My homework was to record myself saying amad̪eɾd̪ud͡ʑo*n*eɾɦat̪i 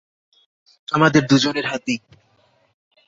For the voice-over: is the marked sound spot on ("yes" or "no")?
yes